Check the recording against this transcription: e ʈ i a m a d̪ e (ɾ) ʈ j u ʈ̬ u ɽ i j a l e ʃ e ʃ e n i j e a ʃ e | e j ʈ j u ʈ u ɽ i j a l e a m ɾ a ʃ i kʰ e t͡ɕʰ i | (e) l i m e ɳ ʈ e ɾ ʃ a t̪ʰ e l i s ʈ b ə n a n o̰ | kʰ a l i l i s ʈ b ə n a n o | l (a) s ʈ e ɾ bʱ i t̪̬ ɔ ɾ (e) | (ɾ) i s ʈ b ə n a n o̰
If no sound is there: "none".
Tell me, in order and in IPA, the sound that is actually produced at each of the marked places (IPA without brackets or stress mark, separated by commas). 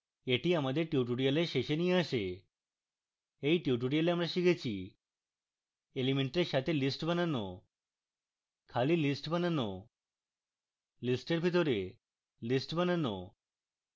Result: ɾ, e, i, e, l